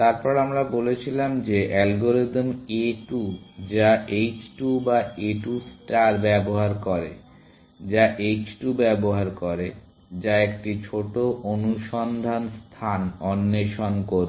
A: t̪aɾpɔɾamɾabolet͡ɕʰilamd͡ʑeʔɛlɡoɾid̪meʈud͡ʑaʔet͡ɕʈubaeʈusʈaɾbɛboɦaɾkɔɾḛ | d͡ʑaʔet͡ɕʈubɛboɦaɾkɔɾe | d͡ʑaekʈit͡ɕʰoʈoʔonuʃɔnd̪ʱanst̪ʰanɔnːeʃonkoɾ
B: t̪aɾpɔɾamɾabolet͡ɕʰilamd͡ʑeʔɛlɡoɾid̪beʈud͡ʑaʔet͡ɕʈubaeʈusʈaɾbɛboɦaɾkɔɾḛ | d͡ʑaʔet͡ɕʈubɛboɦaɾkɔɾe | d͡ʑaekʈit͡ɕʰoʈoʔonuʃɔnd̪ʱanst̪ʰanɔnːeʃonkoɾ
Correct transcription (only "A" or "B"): A